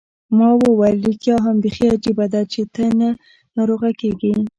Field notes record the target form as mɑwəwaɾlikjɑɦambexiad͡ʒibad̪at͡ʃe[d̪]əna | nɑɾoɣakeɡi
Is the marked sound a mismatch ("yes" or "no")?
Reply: yes